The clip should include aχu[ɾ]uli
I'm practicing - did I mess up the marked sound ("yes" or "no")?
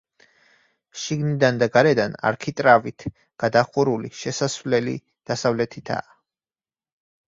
no